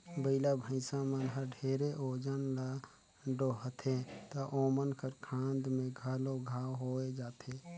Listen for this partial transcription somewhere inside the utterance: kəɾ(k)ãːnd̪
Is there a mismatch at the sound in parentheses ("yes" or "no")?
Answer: yes